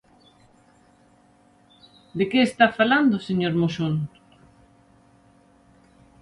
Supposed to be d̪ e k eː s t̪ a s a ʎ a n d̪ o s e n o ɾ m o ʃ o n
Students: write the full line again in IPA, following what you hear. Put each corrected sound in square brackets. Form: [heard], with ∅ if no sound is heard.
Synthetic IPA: d̪ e k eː s t̪ a [f] a [l] a n d̪ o s e [ɲ] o ɾ m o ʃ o n